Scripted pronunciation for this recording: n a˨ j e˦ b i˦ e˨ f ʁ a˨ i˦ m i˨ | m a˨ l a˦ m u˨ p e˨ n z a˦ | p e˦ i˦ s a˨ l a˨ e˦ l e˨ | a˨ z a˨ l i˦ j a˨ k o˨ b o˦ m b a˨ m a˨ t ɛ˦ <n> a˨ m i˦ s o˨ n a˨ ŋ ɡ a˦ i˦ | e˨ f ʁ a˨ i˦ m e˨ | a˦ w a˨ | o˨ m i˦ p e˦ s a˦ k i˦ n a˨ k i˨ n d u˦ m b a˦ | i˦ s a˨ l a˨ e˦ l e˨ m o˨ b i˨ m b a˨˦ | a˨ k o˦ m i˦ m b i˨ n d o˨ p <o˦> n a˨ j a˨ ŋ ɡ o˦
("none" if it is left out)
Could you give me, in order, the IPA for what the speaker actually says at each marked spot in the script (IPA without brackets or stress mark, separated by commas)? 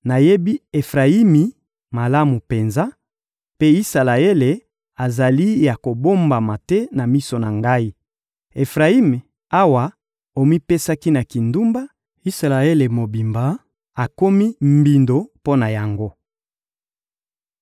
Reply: n, o˦